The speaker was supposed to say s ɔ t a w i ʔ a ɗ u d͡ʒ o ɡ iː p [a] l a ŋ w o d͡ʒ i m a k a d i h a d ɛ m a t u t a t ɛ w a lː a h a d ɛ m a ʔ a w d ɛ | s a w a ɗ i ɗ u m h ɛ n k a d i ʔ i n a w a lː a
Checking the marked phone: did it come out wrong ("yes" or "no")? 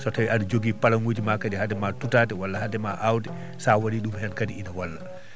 no